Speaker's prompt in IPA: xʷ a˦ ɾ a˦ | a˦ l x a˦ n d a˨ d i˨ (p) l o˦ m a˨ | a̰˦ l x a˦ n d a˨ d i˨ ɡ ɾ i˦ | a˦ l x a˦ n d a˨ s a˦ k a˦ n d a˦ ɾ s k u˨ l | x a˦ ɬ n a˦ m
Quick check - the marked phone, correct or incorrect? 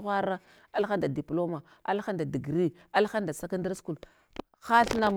correct